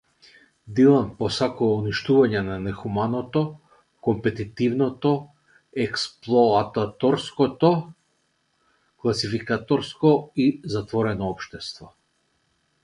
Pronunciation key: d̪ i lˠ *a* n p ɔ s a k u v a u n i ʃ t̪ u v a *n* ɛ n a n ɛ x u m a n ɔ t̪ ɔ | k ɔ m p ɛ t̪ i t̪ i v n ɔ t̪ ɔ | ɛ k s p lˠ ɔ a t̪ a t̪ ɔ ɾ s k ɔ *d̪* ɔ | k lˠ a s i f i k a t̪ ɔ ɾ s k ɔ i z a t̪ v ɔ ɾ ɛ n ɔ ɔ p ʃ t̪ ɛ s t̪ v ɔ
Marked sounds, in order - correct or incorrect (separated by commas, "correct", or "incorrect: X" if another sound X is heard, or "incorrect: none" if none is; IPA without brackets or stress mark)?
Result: correct, incorrect: ɲ, incorrect: t̪